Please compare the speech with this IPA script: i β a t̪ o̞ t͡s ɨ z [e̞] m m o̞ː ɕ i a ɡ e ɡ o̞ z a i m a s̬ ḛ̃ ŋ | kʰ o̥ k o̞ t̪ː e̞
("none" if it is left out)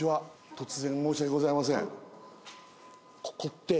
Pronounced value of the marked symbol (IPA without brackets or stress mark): ẽ̞